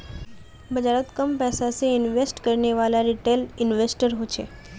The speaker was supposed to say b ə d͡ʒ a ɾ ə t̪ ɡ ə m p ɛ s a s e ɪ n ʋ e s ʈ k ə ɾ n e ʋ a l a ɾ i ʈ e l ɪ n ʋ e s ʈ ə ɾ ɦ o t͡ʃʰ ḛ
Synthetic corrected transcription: b ə d͡ʒ a ɾ ə t̪ k ə m p ɛ s a s e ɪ n ʋ e s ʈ k ə ɾ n e ʋ a l a ɾ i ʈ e l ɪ n ʋ e s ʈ ə ɾ ɦ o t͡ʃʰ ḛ